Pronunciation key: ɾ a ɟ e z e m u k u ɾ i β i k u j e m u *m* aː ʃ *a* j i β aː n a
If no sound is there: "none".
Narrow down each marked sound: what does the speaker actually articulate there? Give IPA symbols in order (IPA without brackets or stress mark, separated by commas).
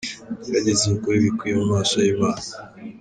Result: m, a